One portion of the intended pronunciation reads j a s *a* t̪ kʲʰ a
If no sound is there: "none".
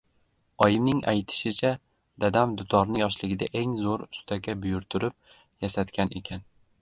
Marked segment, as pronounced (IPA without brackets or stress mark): a